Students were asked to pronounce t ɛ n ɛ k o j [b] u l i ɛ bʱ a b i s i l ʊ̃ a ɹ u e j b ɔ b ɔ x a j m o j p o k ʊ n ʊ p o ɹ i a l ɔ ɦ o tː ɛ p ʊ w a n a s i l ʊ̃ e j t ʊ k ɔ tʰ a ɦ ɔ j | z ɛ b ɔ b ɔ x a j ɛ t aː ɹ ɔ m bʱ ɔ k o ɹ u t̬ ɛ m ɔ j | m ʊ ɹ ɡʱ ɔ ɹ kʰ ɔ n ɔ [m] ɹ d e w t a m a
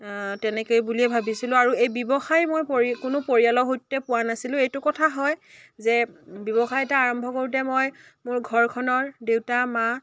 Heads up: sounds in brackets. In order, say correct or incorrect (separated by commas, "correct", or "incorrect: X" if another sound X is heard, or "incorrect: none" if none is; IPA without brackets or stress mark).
correct, incorrect: none